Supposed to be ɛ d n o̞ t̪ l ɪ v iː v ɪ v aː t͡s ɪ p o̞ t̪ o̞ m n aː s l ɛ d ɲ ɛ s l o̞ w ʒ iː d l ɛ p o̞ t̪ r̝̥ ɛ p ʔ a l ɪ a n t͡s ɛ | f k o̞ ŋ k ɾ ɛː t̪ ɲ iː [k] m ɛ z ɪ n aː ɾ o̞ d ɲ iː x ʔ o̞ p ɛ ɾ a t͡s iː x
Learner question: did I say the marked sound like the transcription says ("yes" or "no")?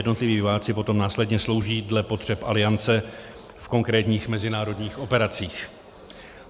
no